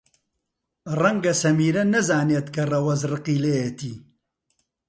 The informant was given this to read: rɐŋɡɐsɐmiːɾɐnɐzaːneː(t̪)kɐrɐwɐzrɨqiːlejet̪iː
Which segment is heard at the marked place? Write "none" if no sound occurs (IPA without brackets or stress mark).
t̪